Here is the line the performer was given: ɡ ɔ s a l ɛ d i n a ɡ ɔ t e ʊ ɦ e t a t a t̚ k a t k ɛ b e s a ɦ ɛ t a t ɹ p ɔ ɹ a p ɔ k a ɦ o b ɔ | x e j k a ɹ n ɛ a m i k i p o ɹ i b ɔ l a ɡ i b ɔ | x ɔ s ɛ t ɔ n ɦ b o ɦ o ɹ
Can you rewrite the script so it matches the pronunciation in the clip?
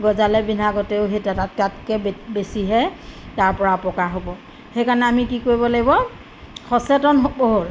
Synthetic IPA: ɡ ɔ z a l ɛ b i n a ɡ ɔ t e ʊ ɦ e t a t a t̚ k a t k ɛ b e s i ɦ ɛ t a ɹ p ɔ ɹ a p ɔ k a ɦ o b ɔ | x e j k a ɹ n ɛ a m i k i k o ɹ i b ɔ l a ɡ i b ɔ | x ɔ s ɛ t ɔ n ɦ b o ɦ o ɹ